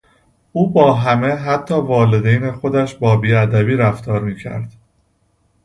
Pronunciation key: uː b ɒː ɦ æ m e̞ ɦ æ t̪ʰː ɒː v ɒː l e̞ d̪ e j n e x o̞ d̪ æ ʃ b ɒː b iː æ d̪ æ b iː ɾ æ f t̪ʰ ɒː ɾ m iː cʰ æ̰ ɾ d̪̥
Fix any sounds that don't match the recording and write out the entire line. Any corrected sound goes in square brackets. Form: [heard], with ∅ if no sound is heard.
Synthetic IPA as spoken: uː b ɒː ɦ æ m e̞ ɦ æ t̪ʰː ɒː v ɒː l e̞ d̪ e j n e x o̞ d̪ æ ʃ b ɒː b iː æ d̪ æ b iː ɾ æ f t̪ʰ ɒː ɾ m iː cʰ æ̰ ɾ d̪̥